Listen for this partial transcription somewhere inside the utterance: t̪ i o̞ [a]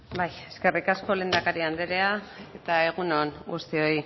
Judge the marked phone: incorrect: i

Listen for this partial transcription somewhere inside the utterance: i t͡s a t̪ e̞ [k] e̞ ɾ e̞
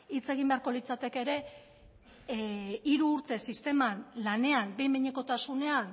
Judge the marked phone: correct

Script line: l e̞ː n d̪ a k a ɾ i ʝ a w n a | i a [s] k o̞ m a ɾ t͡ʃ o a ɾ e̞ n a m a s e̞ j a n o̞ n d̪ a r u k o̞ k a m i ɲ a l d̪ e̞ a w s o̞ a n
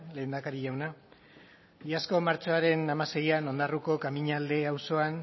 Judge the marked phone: correct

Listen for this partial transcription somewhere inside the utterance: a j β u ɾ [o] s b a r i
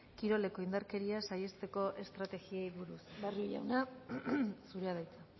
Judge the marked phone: incorrect: u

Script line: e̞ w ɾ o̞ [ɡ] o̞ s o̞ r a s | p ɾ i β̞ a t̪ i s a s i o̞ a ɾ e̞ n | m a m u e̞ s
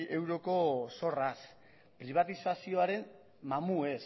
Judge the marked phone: incorrect: k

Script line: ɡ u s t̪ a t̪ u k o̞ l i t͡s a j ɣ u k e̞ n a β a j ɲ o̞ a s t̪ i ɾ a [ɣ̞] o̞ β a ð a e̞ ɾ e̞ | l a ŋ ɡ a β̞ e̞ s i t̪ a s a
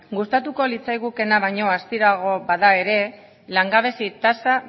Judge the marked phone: correct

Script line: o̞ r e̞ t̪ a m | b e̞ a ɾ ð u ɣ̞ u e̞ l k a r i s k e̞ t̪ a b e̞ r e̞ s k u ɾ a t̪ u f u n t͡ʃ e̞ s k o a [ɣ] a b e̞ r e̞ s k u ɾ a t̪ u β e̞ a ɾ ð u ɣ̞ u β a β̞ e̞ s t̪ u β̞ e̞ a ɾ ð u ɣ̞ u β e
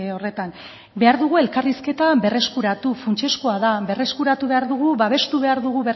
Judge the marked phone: incorrect: ð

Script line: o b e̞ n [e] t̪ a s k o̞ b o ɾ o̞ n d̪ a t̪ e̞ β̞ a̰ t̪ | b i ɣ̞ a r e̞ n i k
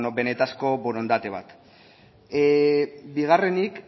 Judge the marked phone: correct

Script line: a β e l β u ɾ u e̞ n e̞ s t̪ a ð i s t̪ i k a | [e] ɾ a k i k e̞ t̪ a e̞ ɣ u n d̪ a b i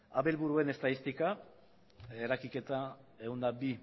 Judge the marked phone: correct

